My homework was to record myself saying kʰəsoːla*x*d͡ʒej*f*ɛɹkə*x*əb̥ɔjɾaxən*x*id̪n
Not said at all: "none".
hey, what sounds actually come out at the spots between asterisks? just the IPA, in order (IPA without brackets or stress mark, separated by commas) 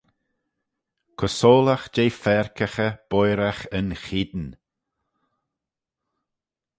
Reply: x, f, x, x